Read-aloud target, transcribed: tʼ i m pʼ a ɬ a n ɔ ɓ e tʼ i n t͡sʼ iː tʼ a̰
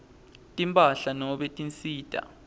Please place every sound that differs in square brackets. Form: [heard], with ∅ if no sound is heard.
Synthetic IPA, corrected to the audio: tʼ i m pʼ a ɬ a n ɔ ɓ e tʼ i n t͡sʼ iː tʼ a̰

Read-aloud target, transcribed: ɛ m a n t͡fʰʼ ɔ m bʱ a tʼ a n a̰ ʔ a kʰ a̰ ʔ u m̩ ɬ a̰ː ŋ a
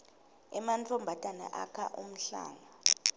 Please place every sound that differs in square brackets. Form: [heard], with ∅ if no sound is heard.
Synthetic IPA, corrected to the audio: ɛ m a n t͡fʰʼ ɔ m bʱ a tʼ a n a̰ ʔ a kʰ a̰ ʔ u m̩ ɬ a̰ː ŋ a

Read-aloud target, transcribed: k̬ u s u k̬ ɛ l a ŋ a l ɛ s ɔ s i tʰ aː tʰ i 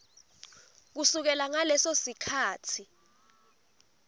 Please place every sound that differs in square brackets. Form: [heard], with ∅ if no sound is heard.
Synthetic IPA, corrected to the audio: k̬ u s u k̬ ɛ l a ŋ a l ɛ s [o] s i [kʰ] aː tʰ i

